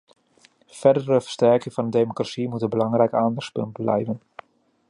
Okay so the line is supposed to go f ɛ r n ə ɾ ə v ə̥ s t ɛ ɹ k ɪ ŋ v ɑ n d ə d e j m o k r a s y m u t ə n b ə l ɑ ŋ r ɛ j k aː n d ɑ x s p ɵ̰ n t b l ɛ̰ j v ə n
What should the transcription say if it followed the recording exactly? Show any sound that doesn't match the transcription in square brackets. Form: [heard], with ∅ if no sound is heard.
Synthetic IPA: f ɛ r [d] ə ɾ ə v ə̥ s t ɛ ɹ k ɪ ŋ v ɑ n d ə d e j m o k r a s [i] m u t ə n b ə l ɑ ŋ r ɛ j k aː n d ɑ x s p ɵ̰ n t b l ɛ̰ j v ə n